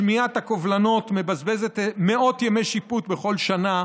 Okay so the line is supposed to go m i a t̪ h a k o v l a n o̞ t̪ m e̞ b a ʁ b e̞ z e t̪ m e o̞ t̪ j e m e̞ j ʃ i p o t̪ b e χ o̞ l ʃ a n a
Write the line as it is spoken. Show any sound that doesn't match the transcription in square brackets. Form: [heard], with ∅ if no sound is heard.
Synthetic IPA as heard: m i a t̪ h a k o v l a n o̞ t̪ m e̞ b a [z] b e̞ z e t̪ m e o̞ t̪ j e m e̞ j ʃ i p [u] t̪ b e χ o̞ l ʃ a n a